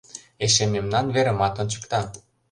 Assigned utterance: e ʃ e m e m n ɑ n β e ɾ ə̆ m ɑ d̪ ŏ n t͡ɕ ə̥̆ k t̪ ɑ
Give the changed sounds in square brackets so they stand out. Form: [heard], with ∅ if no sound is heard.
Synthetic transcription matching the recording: e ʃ e m e m n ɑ n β e ɾ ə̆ m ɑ [t̪] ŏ n t͡ɕ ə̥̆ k t̪ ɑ